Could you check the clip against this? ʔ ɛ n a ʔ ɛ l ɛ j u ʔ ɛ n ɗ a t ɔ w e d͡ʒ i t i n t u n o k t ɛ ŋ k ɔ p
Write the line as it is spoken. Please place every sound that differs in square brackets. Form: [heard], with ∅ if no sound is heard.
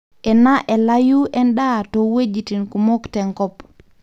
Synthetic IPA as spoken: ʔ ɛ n a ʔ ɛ l [a] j u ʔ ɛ n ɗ a t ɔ w e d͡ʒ i t i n [k] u [m] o k t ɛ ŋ k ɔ p